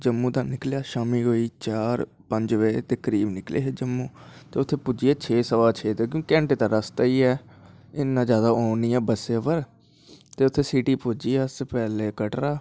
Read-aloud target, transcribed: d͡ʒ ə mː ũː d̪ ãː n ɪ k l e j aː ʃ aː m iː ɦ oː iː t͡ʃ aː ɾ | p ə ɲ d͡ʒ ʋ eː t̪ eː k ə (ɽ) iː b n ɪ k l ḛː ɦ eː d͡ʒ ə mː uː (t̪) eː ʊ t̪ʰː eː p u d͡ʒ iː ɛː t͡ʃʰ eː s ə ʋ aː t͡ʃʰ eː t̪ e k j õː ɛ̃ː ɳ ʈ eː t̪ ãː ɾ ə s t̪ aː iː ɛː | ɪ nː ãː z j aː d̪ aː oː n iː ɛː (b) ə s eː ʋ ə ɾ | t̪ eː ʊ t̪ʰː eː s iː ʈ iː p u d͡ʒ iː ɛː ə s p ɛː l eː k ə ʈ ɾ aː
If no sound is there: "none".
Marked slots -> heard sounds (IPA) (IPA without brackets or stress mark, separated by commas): ɾ, t̪, b